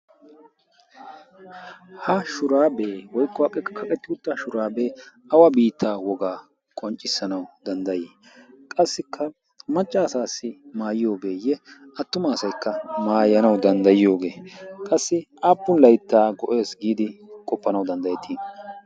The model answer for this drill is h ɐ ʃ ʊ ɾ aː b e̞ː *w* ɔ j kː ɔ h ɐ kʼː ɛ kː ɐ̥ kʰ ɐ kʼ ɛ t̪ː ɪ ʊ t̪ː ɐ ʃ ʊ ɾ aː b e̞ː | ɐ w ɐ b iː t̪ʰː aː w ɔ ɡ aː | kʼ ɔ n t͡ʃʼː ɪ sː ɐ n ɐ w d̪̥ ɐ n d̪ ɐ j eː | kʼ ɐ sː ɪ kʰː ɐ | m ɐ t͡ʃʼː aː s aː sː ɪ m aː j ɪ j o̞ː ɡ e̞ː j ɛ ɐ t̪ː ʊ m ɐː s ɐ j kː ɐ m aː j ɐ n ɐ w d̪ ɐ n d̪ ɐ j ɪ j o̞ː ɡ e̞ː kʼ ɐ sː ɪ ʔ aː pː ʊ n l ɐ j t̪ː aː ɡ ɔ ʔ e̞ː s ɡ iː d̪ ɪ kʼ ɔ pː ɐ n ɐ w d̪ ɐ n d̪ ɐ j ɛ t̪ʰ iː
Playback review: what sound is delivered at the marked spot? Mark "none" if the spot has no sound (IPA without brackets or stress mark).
w